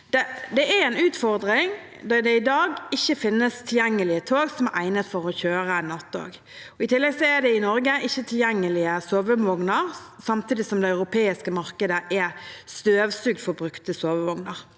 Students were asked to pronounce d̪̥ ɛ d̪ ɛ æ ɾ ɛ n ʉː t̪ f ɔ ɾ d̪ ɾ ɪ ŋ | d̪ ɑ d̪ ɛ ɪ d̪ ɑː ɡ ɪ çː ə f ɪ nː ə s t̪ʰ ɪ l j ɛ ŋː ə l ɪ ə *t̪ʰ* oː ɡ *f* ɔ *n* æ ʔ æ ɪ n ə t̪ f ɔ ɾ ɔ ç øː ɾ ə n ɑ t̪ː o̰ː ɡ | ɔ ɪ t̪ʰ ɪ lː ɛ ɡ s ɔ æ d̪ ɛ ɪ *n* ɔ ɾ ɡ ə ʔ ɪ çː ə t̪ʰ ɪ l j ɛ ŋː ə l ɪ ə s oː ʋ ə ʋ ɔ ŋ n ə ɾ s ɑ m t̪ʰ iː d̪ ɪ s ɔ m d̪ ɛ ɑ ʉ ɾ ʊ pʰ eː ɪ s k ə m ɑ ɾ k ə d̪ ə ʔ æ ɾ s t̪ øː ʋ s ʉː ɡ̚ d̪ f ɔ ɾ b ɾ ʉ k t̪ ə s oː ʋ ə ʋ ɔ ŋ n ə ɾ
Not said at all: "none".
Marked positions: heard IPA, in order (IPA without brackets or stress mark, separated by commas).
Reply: t̪ʰ, s, m, n